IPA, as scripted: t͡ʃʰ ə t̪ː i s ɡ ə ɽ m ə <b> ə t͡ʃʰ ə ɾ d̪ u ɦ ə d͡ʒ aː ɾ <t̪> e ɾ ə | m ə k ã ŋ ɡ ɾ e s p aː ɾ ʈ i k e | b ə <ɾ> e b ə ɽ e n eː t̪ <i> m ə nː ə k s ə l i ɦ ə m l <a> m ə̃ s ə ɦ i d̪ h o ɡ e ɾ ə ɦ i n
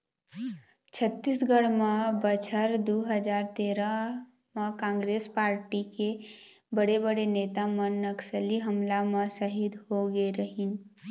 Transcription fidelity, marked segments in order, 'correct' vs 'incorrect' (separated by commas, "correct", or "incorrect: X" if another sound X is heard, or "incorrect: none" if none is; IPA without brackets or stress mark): correct, correct, incorrect: ɽ, incorrect: a, correct